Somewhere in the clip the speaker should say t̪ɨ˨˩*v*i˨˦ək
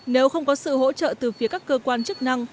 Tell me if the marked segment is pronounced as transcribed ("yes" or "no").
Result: no